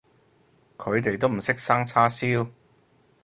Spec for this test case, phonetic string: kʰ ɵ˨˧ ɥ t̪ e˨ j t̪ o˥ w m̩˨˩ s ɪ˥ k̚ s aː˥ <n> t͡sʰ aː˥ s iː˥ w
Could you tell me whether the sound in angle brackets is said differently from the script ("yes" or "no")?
yes